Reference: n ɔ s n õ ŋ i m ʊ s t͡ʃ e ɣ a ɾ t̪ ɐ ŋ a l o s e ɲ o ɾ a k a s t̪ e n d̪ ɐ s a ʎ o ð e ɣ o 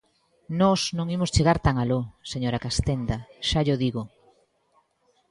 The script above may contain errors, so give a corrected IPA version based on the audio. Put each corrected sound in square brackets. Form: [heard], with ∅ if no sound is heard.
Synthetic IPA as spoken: n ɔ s n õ ŋ i m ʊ s t͡ʃ e ɣ a ɾ t̪ [a] ŋ a l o s e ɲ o ɾ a k a s t̪ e n d̪ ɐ [ʃ] a ʎ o ð [i] ɣ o